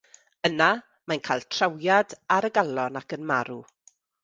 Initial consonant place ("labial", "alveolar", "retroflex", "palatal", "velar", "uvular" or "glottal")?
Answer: alveolar